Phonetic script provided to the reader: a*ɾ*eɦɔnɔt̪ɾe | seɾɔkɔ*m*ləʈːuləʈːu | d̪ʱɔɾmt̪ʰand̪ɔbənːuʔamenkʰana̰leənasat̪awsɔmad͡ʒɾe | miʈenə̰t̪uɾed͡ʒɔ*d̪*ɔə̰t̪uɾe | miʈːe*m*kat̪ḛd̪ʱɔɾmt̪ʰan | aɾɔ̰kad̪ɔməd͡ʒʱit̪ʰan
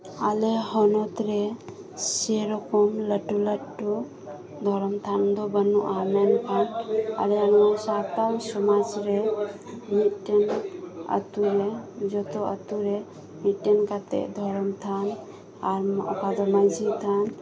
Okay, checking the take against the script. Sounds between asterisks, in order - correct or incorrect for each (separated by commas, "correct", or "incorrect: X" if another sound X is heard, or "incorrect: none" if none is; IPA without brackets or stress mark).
incorrect: l, correct, incorrect: t̪, incorrect: n